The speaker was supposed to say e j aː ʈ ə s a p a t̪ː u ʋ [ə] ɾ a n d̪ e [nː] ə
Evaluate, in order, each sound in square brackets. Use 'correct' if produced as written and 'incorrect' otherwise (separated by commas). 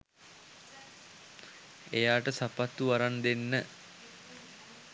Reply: incorrect, correct